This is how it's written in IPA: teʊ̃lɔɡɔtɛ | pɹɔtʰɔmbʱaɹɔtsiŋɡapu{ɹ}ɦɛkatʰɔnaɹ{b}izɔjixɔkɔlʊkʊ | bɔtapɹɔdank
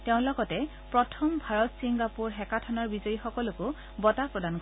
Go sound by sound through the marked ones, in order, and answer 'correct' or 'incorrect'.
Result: correct, correct

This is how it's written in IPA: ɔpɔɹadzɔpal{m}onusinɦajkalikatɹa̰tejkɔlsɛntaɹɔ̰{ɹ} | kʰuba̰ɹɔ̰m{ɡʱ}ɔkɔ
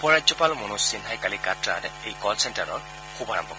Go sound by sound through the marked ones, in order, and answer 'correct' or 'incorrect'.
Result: correct, correct, incorrect

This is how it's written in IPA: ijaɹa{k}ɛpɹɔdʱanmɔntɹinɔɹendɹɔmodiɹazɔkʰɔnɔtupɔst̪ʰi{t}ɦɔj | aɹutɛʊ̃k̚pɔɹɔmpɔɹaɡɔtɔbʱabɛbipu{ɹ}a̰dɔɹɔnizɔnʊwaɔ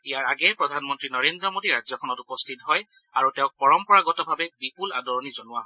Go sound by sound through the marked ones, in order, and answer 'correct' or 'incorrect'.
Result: incorrect, correct, incorrect

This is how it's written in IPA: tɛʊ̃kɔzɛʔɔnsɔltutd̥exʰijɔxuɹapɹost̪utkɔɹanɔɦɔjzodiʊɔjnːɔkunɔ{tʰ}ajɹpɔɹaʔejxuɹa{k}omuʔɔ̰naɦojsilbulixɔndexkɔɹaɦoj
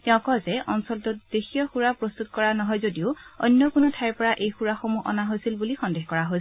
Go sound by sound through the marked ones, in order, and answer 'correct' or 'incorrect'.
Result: correct, incorrect

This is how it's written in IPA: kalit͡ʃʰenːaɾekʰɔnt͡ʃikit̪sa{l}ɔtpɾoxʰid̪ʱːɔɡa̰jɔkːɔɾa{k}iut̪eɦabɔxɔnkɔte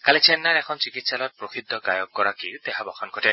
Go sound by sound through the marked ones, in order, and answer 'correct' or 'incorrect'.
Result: correct, correct

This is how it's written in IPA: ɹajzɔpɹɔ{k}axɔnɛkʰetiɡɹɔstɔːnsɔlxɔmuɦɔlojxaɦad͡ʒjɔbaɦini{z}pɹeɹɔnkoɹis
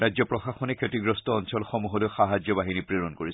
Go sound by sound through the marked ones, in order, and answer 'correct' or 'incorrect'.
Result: incorrect, incorrect

